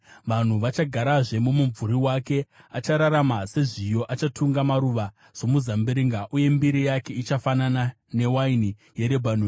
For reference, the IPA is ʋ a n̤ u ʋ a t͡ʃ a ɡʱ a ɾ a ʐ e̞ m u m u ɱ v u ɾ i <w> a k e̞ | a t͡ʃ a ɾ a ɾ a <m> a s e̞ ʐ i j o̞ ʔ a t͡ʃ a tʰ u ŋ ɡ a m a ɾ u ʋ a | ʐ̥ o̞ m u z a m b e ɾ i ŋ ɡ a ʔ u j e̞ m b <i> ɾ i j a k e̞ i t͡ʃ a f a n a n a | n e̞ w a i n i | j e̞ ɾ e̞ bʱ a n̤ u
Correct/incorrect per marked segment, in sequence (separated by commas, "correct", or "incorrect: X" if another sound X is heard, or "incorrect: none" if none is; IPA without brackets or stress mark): correct, correct, correct